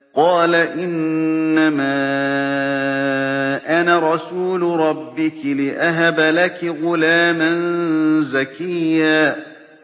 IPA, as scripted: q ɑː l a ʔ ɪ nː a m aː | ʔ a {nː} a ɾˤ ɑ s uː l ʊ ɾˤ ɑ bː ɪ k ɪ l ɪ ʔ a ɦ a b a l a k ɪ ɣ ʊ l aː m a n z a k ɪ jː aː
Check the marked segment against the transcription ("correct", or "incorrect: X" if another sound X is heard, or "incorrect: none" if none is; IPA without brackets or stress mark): incorrect: n